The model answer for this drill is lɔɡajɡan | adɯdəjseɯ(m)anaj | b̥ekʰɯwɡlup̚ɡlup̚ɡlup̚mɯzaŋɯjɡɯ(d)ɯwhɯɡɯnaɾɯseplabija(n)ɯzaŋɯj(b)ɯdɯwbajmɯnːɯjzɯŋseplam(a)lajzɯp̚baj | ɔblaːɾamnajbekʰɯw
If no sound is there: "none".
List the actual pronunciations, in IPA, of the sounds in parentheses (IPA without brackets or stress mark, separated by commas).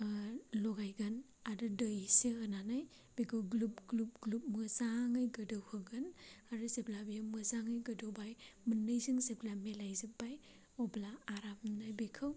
n, d, m, ɡ, e